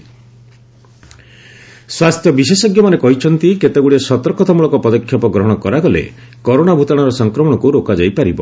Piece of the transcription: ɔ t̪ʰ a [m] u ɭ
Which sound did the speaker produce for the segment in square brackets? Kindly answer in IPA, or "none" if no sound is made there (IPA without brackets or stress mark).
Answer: m